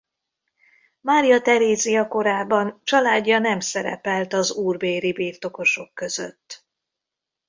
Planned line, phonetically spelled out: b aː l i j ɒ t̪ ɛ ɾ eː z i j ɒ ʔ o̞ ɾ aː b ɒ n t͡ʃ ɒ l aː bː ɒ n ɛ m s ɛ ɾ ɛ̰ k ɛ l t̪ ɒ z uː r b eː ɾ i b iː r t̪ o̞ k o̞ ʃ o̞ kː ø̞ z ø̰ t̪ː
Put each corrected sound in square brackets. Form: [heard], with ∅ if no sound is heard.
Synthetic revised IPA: [m] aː [ɾ] i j ɒ t̪ ɛ ɾ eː z i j ɒ [k] o̞ ɾ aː b ɒ n t͡ʃ ɒ l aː [ɟː] ɒ n ɛ m s ɛ ɾ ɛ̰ [p] ɛ l t̪ ɒ z uː r b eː ɾ i b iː r t̪ o̞ k o̞ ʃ o̞ kː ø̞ z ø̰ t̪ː

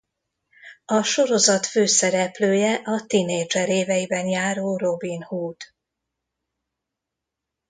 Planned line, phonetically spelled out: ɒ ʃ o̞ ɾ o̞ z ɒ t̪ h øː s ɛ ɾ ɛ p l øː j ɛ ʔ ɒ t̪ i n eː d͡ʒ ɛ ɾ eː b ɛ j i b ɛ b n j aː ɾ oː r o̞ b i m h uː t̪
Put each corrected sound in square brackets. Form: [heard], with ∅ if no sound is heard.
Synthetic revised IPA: ɒ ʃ o̞ ɾ o̞ z ɒ t̪ [f] øː s ɛ ɾ ɛ p l øː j ɛ ʔ ɒ t̪ i n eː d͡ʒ ɛ ɾ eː [v] ɛ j i b ɛ [∅] n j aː ɾ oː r o̞ b i [n] h uː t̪

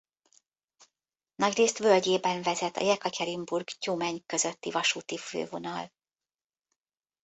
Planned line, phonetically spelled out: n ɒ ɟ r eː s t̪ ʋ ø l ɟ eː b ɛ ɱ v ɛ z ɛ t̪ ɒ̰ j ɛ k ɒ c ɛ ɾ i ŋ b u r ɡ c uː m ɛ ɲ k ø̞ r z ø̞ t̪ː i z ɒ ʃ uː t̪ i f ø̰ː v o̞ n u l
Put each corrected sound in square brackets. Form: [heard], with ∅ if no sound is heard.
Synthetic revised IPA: n ɒ ɟ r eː s t̪ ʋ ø l ɟ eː b ɛ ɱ v ɛ z ɛ t̪ ɒ̰ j ɛ k ɒ c ɛ ɾ i [m] b u r ɡ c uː m ɛ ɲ k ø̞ [∅] z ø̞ t̪ː i [v] ɒ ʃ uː t̪ i f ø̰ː v o̞ n [ɒ] l

